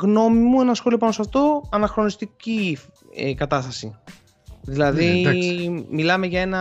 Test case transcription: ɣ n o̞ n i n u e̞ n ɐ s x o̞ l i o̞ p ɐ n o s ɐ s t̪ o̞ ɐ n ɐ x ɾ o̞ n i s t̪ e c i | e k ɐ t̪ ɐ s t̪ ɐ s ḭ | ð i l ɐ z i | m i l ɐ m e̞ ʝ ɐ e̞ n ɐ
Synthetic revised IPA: ɣ n o̞ m i m u e̞ n ɐ s x o̞ l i o̞ p ɐ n o s ɐ f t̪ o̞ ɐ n ɐ x ɾ o̞ n i s t̪ i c i | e k ɐ t̪ ɐ s t̪ ɐ s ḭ | ð i l ɐ ð i | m i l ɐ m e̞ ʝ ɐ e̞ n ɐ